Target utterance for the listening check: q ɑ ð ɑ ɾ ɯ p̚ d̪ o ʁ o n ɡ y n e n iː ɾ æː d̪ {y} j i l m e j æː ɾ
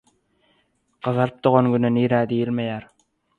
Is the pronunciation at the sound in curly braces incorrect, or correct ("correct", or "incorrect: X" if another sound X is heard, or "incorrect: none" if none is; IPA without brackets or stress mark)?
incorrect: i